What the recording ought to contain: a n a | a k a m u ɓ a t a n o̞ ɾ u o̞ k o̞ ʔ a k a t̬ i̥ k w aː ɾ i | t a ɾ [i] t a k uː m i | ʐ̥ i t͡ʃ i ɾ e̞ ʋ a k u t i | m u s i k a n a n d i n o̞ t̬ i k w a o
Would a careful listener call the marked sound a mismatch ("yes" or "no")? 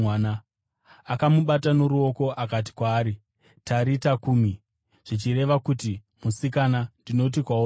no